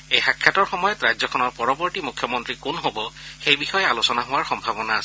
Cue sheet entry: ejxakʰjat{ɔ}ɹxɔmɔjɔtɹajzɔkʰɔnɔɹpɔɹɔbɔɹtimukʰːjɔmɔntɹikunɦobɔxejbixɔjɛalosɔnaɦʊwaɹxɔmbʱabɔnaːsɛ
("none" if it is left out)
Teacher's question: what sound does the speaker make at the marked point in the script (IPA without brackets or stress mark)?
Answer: ɔ